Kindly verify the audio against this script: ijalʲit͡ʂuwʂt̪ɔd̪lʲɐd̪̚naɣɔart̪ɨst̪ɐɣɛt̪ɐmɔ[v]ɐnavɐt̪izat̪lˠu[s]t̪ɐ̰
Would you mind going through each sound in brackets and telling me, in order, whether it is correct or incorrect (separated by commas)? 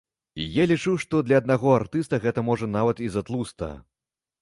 incorrect, correct